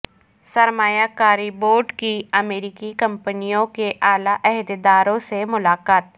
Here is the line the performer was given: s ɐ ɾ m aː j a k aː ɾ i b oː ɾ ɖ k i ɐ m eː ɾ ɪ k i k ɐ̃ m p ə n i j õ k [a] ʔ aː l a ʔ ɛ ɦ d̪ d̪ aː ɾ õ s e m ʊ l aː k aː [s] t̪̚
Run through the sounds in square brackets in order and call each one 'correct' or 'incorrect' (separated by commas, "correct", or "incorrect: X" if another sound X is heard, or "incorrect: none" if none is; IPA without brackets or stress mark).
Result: incorrect: e, incorrect: none